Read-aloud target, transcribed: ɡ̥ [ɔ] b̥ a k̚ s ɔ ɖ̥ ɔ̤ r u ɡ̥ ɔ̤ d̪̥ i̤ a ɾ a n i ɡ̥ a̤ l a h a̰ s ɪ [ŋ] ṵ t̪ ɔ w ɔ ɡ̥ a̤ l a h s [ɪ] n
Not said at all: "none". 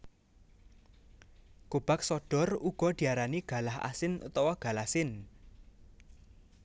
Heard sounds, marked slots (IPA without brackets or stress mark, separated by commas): o, n, ɪ